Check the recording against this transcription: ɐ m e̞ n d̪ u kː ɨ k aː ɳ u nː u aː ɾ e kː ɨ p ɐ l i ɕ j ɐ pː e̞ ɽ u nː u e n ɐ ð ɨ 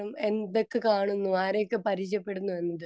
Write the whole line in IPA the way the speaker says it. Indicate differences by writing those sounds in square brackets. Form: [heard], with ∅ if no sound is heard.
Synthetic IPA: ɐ m e̞ n d̪ [o] kː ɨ k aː ɳ u nː u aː ɾ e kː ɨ p ɐ [ɾ] i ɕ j ɐ pː e̞ ɽ u nː u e [nː] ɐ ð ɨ